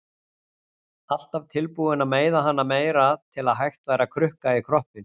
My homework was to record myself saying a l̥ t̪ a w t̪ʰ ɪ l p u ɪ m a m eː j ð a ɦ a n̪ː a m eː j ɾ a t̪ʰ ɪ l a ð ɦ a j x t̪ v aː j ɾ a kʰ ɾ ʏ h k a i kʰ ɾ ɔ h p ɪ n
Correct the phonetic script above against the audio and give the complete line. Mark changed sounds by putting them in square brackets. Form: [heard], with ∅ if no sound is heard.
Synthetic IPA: a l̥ t̪ a [v] t̪ʰ ɪ l p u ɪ [n] a m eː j ð a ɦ a n̪ː a m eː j ɾ a t̪ʰ ɪ l a ð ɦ a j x t̪ v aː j ɾ a kʰ ɾ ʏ h k a i kʰ ɾ ɔ h p ɪ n